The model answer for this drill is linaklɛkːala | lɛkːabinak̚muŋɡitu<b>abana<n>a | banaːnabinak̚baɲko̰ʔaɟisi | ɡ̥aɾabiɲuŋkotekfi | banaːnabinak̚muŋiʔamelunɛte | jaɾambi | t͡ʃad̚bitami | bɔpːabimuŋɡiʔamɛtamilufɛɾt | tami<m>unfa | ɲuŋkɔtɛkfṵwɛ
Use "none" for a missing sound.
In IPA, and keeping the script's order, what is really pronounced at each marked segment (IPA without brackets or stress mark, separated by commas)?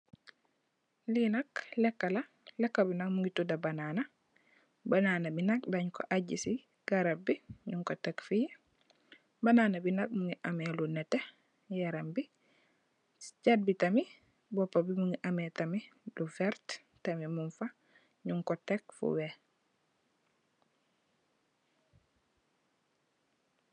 d, n, m